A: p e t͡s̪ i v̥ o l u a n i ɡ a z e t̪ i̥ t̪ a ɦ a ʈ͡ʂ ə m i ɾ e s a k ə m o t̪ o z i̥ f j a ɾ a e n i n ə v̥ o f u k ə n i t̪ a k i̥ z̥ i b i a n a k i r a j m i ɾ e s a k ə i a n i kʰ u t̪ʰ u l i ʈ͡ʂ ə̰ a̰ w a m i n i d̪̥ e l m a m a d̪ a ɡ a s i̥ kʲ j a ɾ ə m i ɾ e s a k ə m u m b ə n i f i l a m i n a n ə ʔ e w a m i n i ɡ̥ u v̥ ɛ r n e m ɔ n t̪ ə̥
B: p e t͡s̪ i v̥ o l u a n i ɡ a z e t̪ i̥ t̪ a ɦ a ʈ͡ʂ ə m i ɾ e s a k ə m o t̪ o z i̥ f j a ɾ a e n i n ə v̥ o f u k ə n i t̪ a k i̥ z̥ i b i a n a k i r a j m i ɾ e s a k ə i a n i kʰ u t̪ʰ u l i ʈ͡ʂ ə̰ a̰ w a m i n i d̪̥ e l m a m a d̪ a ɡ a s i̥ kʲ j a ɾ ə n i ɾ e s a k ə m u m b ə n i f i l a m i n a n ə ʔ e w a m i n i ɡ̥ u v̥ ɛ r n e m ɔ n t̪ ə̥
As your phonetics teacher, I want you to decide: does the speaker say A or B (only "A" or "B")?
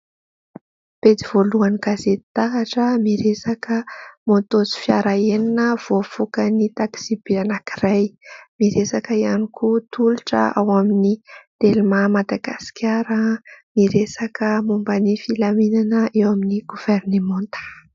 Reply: A